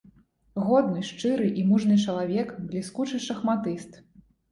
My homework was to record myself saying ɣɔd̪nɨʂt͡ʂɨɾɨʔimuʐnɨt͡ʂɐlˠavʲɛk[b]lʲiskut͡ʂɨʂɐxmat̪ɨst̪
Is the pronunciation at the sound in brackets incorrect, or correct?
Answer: correct